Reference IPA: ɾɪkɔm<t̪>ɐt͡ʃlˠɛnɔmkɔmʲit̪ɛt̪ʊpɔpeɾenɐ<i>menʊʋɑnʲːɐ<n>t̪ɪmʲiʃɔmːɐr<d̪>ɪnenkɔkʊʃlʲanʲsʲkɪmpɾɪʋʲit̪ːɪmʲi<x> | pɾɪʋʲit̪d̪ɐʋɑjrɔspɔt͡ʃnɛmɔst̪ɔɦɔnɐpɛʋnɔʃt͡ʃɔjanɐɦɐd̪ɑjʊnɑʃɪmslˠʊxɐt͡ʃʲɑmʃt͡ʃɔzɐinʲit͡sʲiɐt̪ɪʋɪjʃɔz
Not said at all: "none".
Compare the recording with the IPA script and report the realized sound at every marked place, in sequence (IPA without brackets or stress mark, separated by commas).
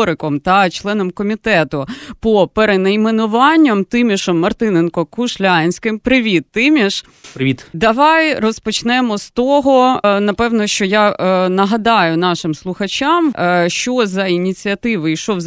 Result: t̪, j, m, t̪, ʃ